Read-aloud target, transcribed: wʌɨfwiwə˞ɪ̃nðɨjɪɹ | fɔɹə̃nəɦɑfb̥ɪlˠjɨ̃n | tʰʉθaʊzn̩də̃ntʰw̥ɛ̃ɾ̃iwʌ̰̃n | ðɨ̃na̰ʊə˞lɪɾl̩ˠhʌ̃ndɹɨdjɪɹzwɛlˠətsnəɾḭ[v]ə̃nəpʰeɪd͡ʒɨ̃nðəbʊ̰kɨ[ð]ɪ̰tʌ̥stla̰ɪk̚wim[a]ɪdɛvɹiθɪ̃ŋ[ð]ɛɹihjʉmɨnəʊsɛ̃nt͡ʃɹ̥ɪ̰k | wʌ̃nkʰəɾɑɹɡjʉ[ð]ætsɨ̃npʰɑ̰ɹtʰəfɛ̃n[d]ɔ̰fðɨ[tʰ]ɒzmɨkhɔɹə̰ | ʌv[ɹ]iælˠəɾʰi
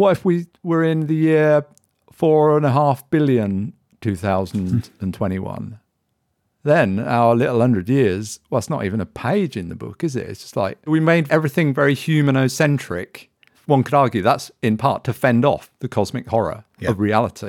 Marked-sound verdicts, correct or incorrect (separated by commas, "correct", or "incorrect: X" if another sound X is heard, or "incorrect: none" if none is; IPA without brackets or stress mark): correct, incorrect: z, incorrect: e, incorrect: v, correct, correct, incorrect: kʰ, correct